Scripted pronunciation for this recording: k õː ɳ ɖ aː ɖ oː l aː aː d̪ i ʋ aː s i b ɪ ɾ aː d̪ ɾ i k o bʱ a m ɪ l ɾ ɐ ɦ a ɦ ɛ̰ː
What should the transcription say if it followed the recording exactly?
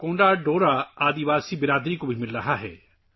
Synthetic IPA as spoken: k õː ɳ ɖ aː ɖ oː ɾ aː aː d̪ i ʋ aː s i b ɪ ɾ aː d̪ ɾ i k o bʱ i m ɪ l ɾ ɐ ɦ a ɦ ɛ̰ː